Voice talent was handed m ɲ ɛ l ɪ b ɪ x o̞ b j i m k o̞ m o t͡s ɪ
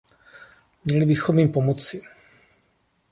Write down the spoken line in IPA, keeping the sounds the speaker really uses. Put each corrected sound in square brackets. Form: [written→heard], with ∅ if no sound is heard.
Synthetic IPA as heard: m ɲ ɛ l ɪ b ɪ x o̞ [b→m] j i m [k→p] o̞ m o t͡s ɪ